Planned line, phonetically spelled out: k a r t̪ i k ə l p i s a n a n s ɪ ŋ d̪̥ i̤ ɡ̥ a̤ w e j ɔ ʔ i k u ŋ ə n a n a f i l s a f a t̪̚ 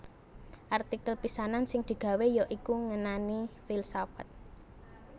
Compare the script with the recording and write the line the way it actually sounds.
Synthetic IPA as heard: ʔ a r t̪ i k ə l p i s a n a n s ɪ ŋ d̪̥ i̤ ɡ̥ a̤ w e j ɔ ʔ i k u ŋ ə n a n i f i l s a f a t̪̚